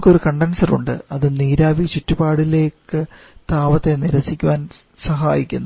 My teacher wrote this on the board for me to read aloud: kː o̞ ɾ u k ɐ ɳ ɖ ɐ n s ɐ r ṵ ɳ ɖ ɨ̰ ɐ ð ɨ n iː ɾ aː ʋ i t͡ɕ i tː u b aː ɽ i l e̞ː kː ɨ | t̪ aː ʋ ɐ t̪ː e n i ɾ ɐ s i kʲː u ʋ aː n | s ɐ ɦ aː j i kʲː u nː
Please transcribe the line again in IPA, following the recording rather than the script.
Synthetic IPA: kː o̞ ɾ u k ɐ ɳ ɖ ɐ n s ɐ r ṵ ɳ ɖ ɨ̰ ɐ ð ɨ n iː ɾ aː ʋ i t͡ɕ i tː u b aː ɽ i l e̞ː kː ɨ | t̪ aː ʋ ɐ t̪ː e n i ɾ ɐ s i kʲː u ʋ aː n | s ɐ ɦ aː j i kʲː u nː